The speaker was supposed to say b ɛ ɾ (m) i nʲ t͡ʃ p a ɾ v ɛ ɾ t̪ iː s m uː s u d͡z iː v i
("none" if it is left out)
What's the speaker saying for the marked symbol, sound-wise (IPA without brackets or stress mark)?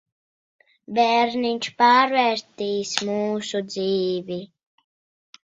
n